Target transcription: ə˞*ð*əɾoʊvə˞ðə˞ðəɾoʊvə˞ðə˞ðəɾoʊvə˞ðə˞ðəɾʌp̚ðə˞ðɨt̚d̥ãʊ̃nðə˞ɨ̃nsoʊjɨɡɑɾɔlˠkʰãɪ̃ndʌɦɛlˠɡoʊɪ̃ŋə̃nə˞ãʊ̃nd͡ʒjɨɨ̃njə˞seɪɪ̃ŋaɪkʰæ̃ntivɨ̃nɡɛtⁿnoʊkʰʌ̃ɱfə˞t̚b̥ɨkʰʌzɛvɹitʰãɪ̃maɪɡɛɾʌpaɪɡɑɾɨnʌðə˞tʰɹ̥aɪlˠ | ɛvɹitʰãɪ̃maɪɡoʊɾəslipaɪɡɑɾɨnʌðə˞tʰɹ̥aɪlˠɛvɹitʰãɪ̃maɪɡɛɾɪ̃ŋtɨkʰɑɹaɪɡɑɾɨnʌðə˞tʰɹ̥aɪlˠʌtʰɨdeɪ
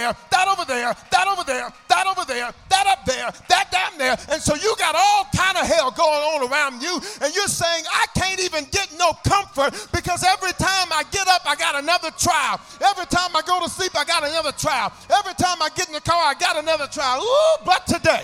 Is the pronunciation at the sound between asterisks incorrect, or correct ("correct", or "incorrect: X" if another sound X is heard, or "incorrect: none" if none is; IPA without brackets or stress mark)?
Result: correct